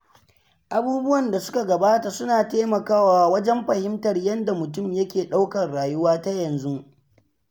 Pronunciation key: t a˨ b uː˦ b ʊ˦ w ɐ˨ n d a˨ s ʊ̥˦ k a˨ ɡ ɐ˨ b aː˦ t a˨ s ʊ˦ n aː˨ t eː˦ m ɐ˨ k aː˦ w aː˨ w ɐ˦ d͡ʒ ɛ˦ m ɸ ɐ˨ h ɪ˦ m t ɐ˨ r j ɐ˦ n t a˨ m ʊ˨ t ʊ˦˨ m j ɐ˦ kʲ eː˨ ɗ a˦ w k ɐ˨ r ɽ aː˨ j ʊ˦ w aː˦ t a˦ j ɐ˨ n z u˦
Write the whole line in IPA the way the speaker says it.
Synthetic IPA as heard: ʔ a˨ b uː˦ b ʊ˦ w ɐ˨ n d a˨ s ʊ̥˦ k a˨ ɡ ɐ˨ b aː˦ t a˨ s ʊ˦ n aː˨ t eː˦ m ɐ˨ k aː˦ w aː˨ w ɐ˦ d͡ʒ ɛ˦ m ɸ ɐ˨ h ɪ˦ m t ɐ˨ r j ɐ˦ n d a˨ m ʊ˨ t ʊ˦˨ m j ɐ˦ kʲ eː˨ ɗ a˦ w k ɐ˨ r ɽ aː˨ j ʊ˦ w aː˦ t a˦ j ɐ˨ n z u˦